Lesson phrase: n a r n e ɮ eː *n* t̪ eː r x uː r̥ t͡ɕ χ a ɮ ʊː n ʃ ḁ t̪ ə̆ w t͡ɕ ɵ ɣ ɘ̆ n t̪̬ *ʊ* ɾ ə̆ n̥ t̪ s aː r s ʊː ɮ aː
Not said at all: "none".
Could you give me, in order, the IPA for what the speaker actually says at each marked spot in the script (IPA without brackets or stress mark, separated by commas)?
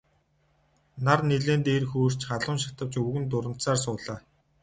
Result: n, ʊ